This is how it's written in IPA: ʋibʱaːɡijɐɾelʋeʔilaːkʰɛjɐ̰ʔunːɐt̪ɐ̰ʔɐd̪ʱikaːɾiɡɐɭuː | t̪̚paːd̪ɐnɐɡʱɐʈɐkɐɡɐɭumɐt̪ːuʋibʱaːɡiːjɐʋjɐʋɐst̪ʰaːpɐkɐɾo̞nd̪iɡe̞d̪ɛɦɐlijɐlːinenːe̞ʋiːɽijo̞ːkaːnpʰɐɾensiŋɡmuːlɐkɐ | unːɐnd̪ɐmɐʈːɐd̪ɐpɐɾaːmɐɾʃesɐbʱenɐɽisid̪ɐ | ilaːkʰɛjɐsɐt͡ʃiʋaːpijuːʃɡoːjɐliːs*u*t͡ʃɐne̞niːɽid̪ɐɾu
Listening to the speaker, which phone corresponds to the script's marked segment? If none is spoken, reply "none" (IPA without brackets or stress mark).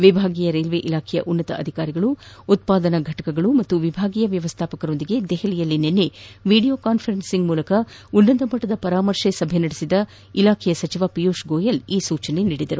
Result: uː